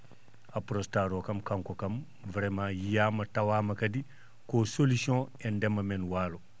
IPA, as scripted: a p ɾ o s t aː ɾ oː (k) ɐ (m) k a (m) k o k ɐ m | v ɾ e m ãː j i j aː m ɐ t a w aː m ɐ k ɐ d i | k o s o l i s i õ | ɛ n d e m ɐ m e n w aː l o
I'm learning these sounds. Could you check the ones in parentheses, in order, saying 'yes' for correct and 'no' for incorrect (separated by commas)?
yes, yes, no